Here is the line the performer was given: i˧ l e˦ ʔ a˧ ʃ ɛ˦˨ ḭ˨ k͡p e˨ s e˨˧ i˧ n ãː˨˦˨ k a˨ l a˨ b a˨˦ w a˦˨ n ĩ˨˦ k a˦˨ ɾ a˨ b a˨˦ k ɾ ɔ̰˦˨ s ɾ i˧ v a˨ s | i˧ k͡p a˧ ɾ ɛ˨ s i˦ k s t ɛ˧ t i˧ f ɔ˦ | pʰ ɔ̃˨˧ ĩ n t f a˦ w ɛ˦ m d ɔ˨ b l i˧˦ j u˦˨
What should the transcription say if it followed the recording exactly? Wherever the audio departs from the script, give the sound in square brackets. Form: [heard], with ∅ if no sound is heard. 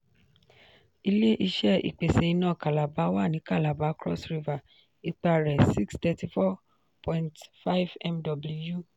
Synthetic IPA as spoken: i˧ l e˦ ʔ [i˧] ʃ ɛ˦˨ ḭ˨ k͡p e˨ s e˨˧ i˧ n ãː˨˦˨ k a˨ l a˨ b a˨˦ w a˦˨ n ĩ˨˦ k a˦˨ [l] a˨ b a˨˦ k ɾ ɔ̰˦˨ s ɾ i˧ v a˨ [∅] | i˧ k͡p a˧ ɾ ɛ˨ s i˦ k s t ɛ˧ t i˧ f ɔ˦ | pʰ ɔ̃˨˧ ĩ n t f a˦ [v] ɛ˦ m d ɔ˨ b l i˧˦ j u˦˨